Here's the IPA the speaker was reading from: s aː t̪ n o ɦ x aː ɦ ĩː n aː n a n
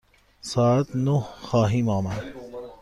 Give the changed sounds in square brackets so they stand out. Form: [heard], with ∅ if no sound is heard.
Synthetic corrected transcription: s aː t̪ n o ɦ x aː ɦ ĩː [m] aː [m] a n